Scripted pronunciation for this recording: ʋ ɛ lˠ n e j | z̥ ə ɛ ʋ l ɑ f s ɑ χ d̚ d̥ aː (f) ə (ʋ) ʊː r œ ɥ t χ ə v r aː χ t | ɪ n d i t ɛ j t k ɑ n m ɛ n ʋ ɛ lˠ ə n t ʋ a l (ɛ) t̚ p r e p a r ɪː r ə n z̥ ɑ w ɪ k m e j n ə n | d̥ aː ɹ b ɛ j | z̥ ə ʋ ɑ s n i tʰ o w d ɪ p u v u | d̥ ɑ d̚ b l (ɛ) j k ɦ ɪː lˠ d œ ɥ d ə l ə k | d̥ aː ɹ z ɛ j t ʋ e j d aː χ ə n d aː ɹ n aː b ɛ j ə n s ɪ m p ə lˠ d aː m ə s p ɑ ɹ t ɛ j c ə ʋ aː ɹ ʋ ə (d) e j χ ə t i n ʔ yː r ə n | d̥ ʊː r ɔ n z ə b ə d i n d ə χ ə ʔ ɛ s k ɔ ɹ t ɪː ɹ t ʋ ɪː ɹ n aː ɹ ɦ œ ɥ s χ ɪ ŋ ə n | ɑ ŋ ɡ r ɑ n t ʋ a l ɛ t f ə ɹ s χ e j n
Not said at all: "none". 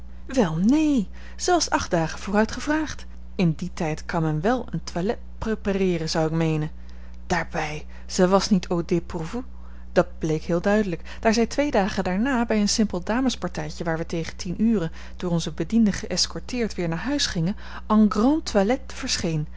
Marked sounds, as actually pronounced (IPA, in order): χ, v, ɛ, e, t

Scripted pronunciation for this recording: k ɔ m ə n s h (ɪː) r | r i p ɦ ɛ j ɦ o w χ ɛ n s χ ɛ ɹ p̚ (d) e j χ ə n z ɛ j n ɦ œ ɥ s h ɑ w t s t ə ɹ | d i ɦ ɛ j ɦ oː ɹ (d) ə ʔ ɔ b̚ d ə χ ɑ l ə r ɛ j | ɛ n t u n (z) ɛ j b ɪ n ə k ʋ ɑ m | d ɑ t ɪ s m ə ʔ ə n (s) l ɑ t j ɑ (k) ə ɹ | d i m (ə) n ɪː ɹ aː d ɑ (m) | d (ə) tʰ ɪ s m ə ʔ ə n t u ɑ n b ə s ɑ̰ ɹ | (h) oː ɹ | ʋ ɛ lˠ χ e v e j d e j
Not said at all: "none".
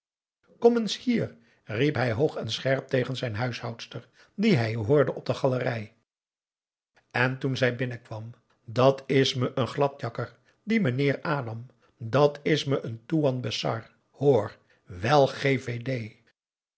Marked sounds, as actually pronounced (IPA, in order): iː, t, d, z, χ, k, ə, m, ɑ, h

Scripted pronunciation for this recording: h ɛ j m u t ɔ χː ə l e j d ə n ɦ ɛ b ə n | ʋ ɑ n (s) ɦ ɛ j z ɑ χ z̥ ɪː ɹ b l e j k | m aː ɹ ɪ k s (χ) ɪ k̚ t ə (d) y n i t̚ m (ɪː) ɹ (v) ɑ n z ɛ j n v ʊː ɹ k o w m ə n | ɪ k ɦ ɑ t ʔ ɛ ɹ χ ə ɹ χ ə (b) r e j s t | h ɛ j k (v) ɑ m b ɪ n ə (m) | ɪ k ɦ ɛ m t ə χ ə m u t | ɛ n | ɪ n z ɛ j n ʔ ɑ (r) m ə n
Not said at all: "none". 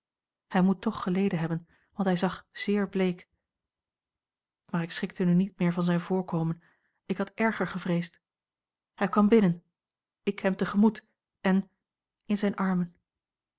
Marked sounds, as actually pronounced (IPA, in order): t, χ, n, ɪː, v, v, ʋ, n, ɹ

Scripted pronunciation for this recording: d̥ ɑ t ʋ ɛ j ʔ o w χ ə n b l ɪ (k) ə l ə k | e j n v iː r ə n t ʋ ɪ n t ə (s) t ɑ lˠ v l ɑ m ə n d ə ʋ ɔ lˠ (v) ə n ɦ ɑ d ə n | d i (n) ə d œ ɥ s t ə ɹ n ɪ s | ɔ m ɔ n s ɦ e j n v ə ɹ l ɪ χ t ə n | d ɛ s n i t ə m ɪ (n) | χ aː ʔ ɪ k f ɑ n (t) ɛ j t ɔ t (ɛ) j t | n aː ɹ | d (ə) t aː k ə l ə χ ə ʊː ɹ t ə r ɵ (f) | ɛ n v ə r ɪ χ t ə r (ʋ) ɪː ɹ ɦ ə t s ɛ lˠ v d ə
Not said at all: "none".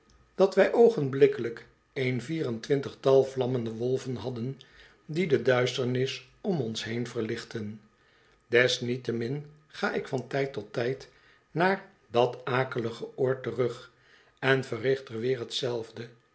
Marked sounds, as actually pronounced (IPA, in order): k, χ, v, d, n, t, ɛ, ɑ, χ, ʋ

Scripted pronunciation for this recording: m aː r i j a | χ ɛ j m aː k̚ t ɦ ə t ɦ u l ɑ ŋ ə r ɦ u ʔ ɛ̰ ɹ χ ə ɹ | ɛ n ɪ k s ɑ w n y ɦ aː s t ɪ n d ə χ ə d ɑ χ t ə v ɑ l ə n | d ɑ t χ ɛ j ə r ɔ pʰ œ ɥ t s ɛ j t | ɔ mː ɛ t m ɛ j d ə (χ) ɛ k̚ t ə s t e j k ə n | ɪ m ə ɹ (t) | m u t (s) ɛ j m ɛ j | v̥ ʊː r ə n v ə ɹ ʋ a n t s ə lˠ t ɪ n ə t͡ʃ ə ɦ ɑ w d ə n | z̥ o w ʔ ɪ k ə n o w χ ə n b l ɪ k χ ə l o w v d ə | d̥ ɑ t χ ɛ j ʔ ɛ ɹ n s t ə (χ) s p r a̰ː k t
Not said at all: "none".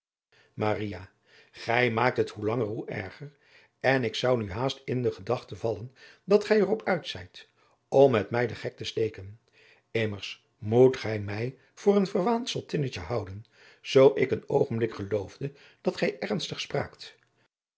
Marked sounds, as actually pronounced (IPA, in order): χ, s, χ, χ

